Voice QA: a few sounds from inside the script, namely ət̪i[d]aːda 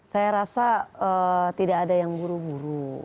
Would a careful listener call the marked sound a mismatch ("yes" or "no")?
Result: no